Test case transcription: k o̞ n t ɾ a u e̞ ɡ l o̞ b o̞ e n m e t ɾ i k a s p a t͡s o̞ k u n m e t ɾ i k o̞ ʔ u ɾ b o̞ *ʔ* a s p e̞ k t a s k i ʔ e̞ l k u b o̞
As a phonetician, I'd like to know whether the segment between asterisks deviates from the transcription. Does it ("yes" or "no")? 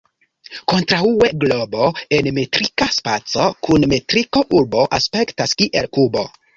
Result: no